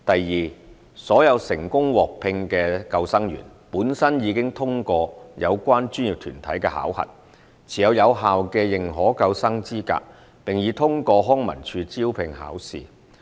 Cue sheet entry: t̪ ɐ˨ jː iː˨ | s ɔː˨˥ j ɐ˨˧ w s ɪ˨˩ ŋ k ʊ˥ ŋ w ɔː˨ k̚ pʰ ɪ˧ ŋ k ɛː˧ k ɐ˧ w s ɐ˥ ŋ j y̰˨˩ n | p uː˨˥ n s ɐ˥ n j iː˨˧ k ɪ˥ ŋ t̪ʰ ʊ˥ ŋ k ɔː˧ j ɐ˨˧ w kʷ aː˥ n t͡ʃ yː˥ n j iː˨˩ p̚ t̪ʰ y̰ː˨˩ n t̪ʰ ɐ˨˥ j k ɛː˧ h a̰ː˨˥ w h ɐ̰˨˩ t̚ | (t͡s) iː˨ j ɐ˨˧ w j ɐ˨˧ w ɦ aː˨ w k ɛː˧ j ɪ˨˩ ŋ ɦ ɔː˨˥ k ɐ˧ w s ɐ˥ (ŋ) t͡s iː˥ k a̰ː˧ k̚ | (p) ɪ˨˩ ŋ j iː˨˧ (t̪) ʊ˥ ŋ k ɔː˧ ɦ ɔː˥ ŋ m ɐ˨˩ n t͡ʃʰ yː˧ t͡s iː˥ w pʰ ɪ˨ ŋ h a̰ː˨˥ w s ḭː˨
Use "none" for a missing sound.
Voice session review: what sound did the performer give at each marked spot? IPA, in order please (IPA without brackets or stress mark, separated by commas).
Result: t͡sʰ, ŋ, p, t̪ʰ